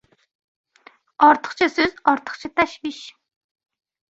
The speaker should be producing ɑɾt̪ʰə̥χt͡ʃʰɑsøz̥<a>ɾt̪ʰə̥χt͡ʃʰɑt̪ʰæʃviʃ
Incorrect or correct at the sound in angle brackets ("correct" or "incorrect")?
incorrect